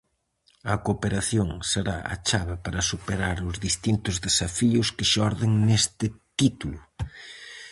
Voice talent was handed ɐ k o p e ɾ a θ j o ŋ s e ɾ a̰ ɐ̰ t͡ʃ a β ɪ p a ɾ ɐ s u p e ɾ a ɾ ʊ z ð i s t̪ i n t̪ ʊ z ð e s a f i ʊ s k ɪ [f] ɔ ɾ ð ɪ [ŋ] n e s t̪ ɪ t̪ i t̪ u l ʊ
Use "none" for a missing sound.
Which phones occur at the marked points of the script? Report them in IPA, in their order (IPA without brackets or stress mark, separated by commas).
ʃ, ŋ